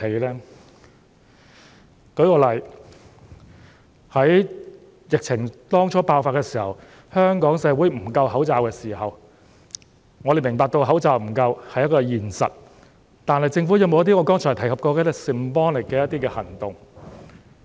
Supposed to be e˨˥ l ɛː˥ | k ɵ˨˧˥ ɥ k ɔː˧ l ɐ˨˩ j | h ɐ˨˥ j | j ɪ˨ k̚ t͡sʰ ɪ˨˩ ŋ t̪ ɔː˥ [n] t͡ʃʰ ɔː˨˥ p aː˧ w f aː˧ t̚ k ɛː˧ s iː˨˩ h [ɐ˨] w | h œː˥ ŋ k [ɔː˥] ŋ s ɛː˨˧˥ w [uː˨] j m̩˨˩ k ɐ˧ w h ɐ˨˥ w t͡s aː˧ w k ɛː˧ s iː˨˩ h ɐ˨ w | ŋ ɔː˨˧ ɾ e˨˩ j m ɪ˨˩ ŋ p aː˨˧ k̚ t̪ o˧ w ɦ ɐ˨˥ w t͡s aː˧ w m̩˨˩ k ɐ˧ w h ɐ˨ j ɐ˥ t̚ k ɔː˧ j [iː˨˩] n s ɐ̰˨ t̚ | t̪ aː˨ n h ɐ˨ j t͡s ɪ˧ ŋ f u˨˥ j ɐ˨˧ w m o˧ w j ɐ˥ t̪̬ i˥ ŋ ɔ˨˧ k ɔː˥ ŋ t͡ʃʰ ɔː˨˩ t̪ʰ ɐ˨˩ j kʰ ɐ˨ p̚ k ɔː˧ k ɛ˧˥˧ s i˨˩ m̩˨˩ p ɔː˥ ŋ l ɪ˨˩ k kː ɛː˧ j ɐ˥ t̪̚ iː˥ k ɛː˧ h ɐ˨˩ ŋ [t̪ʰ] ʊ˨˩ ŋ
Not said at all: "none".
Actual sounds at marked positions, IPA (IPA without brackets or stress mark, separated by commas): ŋ, ɐ˨, ɔː˨˥, uː˨˥, iː˨˩, t̪